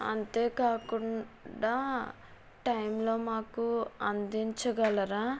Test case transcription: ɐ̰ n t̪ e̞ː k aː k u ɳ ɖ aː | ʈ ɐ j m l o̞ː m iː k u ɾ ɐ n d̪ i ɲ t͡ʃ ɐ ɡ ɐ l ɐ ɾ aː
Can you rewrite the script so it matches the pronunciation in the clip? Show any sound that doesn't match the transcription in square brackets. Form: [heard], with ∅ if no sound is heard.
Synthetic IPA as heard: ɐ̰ n t̪ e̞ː k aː k u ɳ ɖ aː | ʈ ɐ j m l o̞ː m [aː] k u [∅] ɐ n d̪ i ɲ t͡ʃ ɐ ɡ ɐ l ɐ ɾ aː